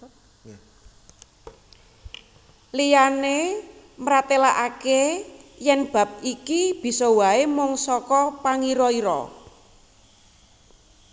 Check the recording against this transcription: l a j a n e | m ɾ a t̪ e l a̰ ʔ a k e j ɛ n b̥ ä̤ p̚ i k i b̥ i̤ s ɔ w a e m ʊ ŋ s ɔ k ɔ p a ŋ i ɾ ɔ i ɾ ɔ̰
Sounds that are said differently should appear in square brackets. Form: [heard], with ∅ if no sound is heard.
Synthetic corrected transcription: l [i] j a n e | m ɾ a t̪ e l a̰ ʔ a k e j ɛ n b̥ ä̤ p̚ i k i b̥ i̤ s ɔ w a e m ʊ ŋ s ɔ k ɔ p a ŋ i ɾ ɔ i ɾ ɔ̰